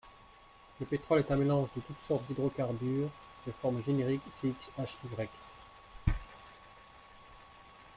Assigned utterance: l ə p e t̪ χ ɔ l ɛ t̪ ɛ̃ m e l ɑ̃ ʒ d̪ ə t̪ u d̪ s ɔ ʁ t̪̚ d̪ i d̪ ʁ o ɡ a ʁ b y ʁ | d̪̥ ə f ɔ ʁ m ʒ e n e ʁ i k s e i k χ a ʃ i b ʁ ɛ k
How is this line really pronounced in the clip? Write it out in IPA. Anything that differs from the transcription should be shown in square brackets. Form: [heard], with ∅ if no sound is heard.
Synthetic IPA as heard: l ə p e t̪ χ ɔ l ɛ t̪ ɛ̃ m e l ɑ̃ ʒ d̪ ə t̪ u [t̪] s ɔ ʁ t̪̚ d̪ i d̪ ʁ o [k] a ʁ b y ʁ | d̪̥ ə f ɔ ʁ m ʒ e n e ʁ i k s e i k [s] a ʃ i [ɡ] ʁ ɛ k